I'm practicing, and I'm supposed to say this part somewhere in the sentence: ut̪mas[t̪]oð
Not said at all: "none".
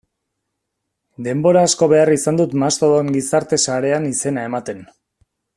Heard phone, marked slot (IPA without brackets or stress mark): t̪